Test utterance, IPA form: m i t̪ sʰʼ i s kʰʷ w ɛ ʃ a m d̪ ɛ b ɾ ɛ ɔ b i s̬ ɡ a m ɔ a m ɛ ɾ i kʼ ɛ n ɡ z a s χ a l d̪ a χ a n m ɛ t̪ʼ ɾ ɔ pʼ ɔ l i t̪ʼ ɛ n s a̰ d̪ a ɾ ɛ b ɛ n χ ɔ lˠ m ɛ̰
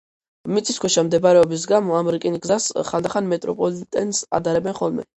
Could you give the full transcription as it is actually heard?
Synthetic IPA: m i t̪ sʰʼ i s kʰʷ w ɛ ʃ a m d̪ ɛ b ɾ ɛ ɔ b i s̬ ɡ a m ɔ a m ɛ ɾ i kʼ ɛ n ɡ z a s χ a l d̪ a χ a n m ɛ t̪ʼ ɾ ɔ pʼ ɔ l i t̪ʼ ɛ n s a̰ d̪ a ɾ ɛ b ɛ n χ ɔ lˠ m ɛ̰